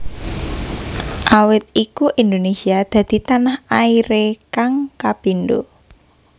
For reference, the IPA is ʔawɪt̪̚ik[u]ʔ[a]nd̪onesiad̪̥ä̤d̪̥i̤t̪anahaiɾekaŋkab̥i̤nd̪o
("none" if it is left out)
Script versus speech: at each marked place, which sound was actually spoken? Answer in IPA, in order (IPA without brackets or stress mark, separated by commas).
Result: u, i